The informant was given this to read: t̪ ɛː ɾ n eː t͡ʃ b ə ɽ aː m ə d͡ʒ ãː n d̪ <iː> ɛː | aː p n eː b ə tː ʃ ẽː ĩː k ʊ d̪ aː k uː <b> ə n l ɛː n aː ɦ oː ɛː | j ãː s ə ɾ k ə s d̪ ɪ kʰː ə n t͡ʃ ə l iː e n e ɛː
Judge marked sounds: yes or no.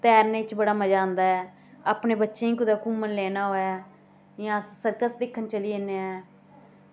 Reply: no, no

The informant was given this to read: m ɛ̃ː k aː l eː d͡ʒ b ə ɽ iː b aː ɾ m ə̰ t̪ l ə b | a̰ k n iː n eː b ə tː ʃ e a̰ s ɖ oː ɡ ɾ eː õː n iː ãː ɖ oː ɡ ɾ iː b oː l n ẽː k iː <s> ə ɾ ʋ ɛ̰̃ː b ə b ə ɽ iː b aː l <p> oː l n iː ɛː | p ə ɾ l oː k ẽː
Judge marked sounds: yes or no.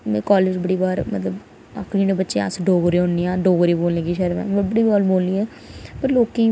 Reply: no, no

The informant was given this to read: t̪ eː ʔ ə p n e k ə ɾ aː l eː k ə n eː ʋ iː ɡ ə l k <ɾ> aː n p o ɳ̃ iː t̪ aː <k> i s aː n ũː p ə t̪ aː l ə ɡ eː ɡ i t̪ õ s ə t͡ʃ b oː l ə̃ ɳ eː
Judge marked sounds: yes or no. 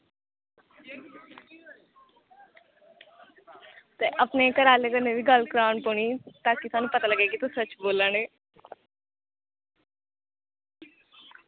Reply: yes, yes

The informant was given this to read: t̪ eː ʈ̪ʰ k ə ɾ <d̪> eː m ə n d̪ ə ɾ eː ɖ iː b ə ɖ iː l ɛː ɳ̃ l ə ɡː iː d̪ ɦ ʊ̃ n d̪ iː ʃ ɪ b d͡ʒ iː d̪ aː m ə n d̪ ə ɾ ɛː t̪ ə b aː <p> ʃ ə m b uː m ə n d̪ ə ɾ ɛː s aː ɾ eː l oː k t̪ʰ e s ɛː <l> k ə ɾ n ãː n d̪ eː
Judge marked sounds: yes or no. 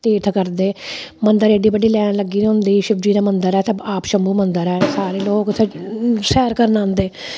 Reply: yes, yes, no

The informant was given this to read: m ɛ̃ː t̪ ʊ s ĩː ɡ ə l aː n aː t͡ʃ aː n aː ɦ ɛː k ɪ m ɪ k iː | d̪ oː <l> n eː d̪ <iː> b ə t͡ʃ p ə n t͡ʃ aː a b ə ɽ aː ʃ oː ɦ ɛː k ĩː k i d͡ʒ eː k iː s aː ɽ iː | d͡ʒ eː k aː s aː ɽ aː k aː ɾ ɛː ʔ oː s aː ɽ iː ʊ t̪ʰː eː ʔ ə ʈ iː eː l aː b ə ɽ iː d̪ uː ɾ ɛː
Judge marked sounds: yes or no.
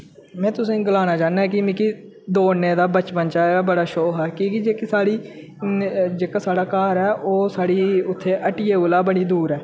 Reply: no, no

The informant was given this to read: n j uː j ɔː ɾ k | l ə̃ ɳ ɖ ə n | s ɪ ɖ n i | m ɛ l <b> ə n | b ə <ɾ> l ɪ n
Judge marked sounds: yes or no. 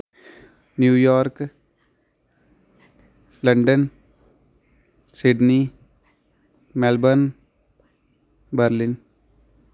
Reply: yes, yes

